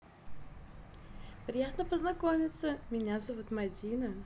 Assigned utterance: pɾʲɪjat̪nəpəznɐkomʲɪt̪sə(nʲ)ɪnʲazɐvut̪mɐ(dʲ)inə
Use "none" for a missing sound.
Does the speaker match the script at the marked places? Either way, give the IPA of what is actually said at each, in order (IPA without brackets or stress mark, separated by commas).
mʲ, dʲ